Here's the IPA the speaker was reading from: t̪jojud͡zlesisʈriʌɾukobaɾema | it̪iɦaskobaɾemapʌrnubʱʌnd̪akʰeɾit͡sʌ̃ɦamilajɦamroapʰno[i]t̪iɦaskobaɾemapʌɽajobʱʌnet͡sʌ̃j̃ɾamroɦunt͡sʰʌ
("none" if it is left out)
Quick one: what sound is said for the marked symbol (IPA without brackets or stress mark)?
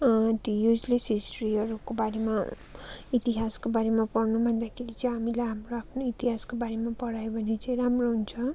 i